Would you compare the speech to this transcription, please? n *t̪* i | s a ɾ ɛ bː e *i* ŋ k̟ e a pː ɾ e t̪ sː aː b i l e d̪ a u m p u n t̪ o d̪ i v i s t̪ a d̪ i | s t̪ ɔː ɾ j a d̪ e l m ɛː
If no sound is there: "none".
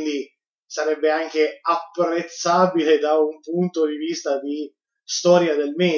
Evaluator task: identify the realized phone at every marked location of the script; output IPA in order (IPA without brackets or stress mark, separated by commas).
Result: d̪, a